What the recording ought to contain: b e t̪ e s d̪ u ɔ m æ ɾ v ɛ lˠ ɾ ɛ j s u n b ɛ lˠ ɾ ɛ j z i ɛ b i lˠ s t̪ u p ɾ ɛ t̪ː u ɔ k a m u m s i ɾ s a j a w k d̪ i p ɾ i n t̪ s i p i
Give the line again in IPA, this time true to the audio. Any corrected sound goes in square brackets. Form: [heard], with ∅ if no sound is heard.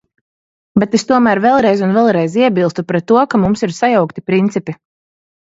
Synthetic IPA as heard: b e t̪ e s [t̪] u ɔ m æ ɾ v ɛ lˠ ɾ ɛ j [z] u n [v] ɛ lˠ ɾ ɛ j z i ɛ b i lˠ s t̪ u p ɾ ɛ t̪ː u ɔ k a m u m s i ɾ s a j a w k [t̪] i p ɾ i n t̪ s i p i